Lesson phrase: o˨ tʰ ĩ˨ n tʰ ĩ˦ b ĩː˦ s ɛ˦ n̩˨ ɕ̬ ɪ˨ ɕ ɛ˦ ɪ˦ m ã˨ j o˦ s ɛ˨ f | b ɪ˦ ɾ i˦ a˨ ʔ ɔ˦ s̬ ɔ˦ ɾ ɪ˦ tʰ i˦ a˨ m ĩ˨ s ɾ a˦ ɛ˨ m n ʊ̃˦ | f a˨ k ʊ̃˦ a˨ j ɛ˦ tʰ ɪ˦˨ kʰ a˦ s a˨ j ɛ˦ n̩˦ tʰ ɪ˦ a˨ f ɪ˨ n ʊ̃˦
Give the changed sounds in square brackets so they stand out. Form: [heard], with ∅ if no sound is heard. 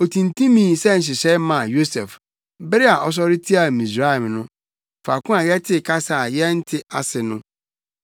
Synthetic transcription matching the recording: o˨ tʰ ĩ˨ n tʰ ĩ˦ [m] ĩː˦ s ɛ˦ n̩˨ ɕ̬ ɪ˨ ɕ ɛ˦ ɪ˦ m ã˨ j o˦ s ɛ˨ f | b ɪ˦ ɾ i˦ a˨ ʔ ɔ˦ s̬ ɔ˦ ɾ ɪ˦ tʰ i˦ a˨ m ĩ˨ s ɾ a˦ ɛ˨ m n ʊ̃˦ | f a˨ k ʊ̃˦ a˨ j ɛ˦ tʰ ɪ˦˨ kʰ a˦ s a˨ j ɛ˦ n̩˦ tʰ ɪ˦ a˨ [s] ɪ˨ n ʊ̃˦